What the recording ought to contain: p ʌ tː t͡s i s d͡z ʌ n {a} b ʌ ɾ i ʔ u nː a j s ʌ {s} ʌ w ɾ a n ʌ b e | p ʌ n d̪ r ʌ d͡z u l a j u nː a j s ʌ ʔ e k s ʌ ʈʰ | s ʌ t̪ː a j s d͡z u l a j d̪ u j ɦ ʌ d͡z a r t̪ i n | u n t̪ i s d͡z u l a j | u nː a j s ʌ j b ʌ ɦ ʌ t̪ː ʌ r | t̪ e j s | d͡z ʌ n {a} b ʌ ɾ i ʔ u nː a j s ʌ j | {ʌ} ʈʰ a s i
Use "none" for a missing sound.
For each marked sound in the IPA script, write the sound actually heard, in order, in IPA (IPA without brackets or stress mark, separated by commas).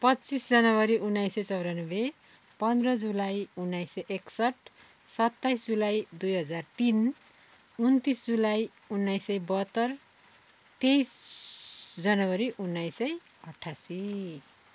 ʌ, t͡s, ʌ, ʌ